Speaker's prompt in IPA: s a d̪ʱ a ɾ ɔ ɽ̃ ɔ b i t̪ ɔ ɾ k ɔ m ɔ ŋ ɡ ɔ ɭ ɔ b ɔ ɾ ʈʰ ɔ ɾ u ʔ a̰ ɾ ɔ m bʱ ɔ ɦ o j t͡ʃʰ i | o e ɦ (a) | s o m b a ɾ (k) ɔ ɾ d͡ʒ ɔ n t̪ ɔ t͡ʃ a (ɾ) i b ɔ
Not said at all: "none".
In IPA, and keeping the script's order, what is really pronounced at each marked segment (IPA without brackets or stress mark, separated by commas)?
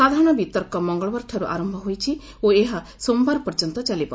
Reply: a, p, l